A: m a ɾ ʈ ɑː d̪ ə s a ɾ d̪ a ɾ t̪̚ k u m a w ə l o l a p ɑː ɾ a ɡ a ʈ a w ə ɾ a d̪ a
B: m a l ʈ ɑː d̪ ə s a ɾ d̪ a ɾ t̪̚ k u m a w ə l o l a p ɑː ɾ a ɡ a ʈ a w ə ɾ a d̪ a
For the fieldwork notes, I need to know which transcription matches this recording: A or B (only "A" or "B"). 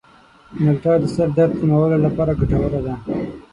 B